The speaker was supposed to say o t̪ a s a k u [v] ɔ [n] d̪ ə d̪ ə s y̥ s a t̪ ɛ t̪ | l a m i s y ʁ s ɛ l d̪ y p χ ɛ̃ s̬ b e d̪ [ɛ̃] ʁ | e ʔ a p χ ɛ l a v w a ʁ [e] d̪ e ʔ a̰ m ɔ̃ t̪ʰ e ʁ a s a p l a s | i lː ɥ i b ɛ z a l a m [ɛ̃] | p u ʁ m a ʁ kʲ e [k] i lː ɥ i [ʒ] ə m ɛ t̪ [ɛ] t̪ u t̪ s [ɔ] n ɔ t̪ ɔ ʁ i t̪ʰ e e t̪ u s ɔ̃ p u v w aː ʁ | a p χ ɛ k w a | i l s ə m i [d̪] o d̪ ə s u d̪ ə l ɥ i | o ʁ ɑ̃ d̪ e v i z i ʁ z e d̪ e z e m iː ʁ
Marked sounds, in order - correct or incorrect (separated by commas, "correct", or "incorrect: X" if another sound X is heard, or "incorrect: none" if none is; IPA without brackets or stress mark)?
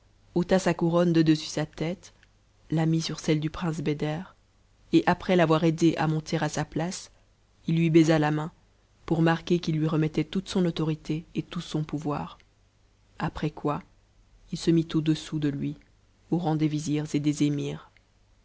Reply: incorrect: ʁ, correct, incorrect: ɛ, correct, correct, correct, incorrect: ʁ, correct, incorrect: ɔ̃, incorrect: t̪